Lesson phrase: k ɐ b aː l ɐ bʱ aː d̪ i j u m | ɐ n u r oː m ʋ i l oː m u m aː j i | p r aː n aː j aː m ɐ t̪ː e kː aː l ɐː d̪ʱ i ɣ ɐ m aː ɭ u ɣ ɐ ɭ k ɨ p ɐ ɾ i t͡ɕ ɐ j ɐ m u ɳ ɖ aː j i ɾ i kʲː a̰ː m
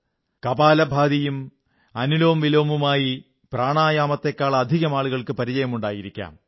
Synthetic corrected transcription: k ɐ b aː l ɐ bʱ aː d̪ i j u m | ɐ n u l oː m ʋ i l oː m u m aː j i | p r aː ɳ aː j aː m ɐ t̪ː e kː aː ɭ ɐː d̪ʱ i ɣ ɐ m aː ɭ u ɣ ɐ ɭ k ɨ p ɐ ɾ i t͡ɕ ɐ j ɐ m u ɳ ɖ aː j i ɾ i kʲː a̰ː m